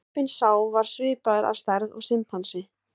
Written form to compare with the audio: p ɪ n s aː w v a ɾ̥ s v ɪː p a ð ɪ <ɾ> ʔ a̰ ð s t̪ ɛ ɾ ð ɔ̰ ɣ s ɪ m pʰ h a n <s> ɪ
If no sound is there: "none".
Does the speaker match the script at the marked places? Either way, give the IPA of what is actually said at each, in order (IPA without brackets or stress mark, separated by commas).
ɾ, s